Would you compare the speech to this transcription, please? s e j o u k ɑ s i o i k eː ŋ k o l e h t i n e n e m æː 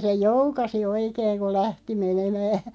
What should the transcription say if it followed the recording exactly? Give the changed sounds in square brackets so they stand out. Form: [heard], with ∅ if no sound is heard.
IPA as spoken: s e j o u k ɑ s i o i k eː ŋ k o l [æ] h t i [m] e n e m æː